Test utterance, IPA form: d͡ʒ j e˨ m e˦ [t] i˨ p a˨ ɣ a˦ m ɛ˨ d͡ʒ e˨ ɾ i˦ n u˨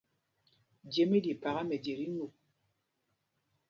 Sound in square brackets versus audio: incorrect: d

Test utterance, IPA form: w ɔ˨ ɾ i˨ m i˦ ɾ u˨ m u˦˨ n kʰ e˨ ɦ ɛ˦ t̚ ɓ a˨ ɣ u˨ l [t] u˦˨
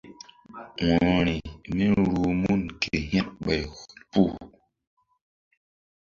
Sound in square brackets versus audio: incorrect: p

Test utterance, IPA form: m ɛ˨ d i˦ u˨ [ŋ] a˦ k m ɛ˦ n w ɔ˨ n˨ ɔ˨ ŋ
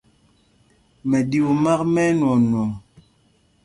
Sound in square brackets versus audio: incorrect: m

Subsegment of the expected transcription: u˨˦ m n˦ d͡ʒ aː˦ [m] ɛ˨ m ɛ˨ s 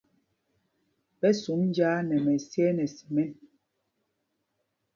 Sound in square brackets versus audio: incorrect: n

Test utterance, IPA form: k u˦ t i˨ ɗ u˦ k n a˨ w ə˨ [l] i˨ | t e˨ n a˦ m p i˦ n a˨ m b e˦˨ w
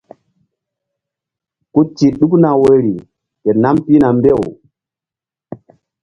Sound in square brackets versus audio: incorrect: ɾ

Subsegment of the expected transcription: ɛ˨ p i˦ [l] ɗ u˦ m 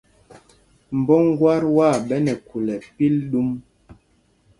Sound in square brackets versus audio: correct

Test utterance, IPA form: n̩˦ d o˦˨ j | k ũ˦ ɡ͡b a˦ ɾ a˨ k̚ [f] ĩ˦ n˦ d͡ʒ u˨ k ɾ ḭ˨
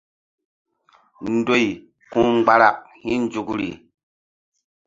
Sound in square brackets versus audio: incorrect: h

